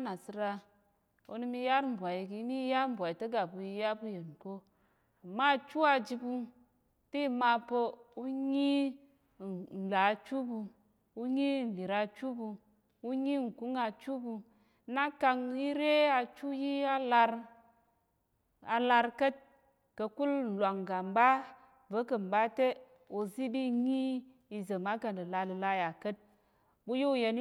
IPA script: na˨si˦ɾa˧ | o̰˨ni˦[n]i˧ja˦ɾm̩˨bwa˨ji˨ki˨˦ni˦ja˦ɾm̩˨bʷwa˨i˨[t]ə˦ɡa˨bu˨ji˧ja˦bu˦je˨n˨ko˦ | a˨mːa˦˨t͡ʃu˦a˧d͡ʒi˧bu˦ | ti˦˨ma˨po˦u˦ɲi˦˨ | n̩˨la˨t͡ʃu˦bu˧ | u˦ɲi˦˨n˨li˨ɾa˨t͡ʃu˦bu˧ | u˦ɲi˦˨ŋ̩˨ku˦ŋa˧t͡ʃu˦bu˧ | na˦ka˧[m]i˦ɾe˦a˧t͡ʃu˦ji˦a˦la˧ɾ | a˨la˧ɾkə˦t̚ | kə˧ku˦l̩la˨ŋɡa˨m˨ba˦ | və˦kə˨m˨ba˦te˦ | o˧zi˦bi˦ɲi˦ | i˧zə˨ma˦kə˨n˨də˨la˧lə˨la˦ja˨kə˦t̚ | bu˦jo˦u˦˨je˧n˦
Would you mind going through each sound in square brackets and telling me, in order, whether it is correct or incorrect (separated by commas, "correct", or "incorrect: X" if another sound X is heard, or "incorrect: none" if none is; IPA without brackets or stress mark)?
incorrect: m, correct, incorrect: ŋ